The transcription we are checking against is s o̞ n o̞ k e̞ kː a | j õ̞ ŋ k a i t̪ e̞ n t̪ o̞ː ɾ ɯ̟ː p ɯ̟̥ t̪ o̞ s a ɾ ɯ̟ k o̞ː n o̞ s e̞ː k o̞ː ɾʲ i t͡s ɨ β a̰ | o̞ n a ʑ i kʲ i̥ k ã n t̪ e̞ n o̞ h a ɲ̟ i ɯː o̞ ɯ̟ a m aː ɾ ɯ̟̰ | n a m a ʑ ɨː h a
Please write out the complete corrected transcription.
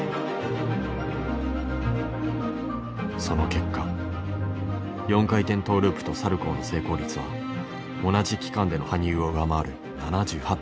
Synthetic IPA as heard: s o̞ n o̞ k e̞ kː a | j õ̞ ŋ k a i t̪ ẽ̞ n t̪ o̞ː ɾ ɯ̟ː p ɯ̟̥ t̪ o̞ s a ɾ ɯ̟ k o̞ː n o̞ s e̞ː k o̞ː ɾʲ i t͡s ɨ β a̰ | o̞ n a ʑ i kʲ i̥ k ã n d̪ e̞ n o̞ h a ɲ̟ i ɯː o̞ ɯ̟ a m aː ɾ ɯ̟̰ | n a n a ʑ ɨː h a